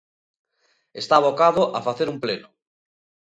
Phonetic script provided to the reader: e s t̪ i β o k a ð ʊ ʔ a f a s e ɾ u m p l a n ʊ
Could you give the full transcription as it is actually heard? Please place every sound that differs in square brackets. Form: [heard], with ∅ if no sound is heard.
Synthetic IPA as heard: e s t̪ [a] β o k a ð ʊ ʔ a f a [θ] e ɾ u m p l [e] n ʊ